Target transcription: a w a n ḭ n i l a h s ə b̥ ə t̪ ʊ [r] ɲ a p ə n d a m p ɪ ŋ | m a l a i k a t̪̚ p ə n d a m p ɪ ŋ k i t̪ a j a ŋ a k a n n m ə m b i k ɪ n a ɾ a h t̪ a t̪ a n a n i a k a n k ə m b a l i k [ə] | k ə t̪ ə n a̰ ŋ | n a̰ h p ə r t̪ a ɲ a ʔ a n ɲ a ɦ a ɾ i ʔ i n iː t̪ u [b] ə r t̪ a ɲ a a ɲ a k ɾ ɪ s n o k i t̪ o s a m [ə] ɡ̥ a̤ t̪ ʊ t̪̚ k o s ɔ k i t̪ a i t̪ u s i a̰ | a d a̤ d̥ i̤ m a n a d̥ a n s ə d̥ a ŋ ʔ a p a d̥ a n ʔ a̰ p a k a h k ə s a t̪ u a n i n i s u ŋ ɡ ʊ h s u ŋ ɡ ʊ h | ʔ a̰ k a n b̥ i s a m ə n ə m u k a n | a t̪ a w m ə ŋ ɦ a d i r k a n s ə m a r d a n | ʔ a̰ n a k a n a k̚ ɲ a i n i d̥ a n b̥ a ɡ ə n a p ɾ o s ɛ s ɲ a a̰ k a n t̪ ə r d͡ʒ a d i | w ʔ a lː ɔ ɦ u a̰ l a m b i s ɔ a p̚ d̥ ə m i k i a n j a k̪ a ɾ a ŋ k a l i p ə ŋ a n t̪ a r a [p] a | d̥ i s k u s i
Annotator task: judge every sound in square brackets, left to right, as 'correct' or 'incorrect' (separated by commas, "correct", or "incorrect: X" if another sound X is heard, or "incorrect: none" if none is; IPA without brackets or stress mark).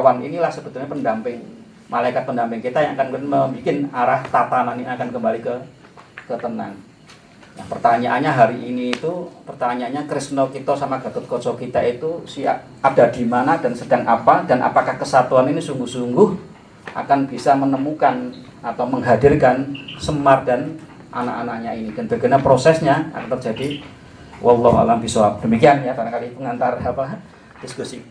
incorrect: l, correct, incorrect: p, incorrect: a, correct